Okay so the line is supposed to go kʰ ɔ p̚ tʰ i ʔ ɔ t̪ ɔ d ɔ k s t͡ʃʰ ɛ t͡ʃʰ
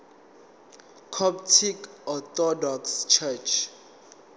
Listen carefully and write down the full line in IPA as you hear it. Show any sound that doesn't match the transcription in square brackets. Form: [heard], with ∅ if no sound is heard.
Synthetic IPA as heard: kʰ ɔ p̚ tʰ i [k] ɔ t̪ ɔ d ɔ k s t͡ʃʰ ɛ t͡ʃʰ